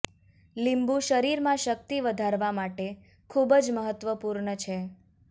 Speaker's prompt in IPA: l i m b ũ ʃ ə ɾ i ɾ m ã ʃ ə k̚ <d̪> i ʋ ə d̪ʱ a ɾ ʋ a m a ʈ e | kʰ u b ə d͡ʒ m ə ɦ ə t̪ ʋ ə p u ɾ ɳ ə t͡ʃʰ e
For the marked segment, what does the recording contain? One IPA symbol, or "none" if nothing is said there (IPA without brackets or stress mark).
t̪